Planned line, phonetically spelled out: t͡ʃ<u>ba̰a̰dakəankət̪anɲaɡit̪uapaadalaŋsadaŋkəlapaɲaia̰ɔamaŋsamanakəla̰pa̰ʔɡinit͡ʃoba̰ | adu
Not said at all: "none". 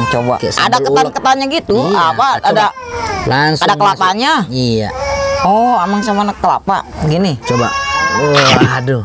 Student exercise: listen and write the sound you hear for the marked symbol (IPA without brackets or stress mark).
o